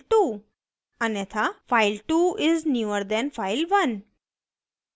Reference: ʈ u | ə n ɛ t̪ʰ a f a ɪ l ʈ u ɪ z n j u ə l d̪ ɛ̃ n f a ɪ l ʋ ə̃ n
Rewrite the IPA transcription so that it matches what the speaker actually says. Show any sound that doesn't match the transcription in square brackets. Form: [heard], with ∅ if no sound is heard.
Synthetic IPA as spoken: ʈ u | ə n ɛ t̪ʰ a f a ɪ l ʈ u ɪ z n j u ə [ɾ] d̪ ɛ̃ n f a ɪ l ʋ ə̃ n